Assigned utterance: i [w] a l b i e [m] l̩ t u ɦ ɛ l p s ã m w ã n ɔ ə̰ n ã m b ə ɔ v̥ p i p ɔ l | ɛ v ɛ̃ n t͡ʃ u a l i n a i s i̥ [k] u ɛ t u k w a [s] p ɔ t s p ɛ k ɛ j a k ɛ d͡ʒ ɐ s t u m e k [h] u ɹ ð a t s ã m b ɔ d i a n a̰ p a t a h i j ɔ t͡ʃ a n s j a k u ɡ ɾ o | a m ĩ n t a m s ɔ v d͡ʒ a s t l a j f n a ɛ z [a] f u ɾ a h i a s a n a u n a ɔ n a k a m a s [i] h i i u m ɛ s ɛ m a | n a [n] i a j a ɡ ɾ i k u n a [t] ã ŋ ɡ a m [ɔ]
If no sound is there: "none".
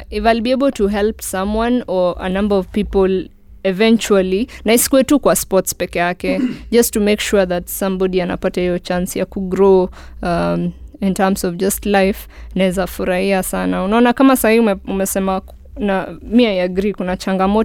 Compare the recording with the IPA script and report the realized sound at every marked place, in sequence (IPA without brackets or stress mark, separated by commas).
v, b, k, s, ʃ, a, a, m, t͡ʃ, ɔ